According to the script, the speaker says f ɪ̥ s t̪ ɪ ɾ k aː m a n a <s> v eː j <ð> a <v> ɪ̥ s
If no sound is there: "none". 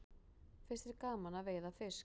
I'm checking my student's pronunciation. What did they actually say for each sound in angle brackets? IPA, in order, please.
none, ð, f

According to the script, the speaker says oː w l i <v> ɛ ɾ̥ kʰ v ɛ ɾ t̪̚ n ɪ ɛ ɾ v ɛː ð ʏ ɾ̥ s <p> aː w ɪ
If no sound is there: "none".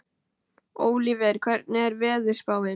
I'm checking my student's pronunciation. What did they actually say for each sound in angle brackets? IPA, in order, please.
v, p

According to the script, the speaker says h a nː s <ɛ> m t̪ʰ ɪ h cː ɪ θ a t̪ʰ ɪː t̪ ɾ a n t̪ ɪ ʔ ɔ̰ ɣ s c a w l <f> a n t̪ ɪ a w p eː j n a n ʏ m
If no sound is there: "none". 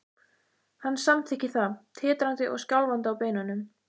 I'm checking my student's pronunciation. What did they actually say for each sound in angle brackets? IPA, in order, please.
a, v

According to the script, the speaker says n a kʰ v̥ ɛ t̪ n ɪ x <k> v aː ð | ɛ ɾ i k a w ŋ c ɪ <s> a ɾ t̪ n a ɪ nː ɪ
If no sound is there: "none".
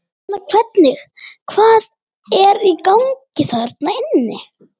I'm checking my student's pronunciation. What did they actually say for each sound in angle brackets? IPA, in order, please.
kʰ, θ

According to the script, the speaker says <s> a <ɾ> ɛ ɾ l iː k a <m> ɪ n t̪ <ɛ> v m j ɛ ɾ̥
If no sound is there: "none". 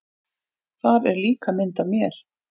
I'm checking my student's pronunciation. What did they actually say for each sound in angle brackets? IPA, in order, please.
θ, ɾ, m, a

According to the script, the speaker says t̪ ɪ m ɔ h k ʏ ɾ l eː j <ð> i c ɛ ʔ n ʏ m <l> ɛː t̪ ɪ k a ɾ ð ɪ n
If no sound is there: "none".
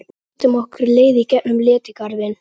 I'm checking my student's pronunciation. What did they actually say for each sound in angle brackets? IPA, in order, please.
ð, l

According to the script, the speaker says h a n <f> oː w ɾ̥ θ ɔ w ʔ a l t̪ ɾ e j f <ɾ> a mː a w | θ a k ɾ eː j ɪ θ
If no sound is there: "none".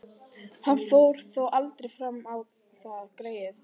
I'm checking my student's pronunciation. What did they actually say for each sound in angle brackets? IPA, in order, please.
f, ɾ

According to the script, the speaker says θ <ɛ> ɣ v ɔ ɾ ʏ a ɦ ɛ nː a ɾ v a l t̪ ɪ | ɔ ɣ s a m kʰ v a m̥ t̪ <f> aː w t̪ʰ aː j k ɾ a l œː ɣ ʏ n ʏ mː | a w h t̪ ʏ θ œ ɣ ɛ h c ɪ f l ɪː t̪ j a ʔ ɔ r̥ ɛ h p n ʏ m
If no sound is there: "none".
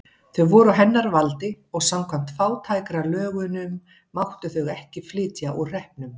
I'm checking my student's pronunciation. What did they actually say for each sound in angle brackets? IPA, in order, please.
œ, f

